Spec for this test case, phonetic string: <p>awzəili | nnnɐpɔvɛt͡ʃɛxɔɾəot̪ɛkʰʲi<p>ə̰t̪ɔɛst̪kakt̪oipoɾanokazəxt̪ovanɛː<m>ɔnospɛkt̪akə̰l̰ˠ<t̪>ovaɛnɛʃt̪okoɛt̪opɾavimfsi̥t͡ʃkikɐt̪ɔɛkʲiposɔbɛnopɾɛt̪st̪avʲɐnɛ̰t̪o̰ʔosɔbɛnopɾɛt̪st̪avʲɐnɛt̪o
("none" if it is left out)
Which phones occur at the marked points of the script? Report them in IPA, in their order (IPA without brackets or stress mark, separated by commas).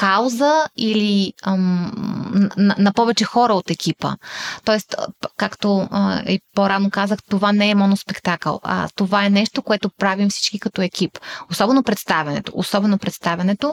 k, p, m, t̪